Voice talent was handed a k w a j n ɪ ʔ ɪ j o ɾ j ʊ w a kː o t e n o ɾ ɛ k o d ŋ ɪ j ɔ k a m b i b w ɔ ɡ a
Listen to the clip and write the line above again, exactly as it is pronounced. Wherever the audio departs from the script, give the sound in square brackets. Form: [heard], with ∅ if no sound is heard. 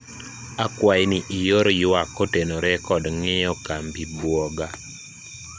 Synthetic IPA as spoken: a k w a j n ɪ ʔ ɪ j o ɾ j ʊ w a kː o t e n o ɾ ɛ k [ɔ] d ŋ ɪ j ɔ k a m b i b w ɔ ɡ a